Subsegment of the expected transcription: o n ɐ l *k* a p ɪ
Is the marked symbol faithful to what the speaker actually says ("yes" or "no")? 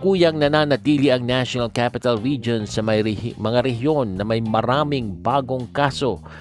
yes